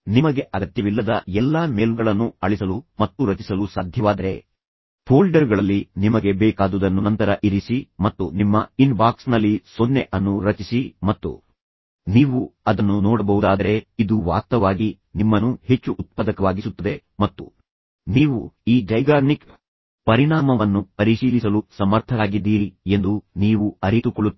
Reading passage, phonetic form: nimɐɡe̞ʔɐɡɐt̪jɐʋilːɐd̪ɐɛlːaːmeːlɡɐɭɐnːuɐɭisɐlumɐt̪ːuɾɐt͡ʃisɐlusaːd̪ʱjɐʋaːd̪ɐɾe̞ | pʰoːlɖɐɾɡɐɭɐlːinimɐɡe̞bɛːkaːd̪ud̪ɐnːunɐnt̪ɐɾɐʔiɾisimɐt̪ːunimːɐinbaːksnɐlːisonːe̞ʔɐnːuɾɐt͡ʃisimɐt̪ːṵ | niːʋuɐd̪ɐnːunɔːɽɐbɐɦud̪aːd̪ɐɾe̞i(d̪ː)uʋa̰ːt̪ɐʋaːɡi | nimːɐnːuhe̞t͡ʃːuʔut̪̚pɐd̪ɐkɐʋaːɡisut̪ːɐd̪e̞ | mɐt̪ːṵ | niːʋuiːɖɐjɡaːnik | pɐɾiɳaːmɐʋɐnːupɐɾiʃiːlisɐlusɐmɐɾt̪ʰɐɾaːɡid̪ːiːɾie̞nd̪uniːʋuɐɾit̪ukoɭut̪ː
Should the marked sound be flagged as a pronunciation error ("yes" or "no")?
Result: yes